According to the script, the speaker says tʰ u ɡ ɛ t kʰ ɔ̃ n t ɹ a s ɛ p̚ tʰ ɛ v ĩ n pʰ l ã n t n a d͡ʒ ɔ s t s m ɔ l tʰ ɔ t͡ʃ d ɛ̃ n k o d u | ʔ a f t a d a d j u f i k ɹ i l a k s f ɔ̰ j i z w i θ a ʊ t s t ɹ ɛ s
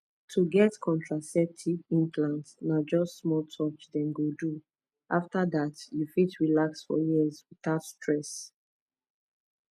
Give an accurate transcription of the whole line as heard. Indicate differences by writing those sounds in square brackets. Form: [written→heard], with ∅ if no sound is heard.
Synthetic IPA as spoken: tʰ u ɡ ɛ t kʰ ɔ̃ n t ɹ a s ɛ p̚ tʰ [ɛ→i] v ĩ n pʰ l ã n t n a d͡ʒ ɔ s t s m ɔ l tʰ ɔ t͡ʃ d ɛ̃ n [k→ɡ] o d u | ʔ a f t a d a [d→t] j u f i [k→t] ɹ i l a k s f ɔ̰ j i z w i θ a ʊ t s t ɹ ɛ s